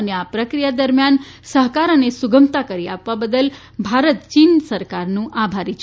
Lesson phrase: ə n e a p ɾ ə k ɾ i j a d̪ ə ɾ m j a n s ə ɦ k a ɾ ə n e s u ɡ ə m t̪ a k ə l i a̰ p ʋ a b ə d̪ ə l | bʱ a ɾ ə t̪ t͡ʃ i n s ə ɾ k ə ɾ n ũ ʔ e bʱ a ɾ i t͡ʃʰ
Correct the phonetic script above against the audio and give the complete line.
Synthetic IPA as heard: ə n e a p ɾ ə k ɾ i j a d̪ ə ɾ m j a n s ə ɦ k a ɾ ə n e s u ɡ ə m t̪ a k ə ɾ i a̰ p ʋ a b ə d̪ ə l | bʱ a ɾ ə t̪ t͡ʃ i n s ə ɾ k a ɾ n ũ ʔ a bʱ a ɾ i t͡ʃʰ